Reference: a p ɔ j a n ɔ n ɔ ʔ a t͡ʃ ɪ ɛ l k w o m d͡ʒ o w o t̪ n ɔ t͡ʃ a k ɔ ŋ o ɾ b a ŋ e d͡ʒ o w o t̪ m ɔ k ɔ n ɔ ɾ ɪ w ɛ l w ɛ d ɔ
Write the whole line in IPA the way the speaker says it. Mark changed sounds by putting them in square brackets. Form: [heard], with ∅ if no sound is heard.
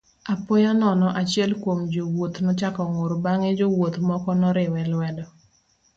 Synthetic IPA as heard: a p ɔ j a n ɔ n ɔ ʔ a t͡ʃ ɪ ɛ l k w o m d͡ʒ o w o t̪ n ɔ t͡ʃ a k ɔ ŋ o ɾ b a ŋ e d͡ʒ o w o t̪ m ɔ k ɔ n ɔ ɾ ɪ w ɛ l w ɛ d ɔ